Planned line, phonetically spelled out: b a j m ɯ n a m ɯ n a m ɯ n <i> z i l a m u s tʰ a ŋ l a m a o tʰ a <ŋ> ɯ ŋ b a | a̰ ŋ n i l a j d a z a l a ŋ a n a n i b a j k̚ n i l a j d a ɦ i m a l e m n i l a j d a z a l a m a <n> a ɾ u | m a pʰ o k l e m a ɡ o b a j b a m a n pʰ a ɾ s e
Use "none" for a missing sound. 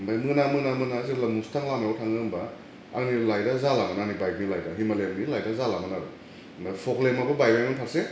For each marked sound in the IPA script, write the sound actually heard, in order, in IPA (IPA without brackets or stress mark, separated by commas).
a, ŋ, n